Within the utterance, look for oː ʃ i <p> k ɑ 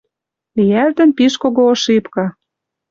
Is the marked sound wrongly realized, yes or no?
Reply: no